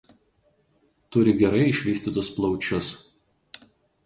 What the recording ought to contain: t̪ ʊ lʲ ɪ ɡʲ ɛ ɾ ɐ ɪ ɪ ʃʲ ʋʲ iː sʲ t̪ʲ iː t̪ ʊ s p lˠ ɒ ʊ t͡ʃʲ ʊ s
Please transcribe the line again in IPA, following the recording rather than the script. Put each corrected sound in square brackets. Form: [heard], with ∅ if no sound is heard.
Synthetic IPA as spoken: t̪ ʊ [ɾʲ] ɪ ɡʲ ɛ ɾ ɐ ɪ ɪ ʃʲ ʋʲ iː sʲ t̪ʲ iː t̪ ʊ s p lˠ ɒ ʊ t͡ʃʲ ʊ s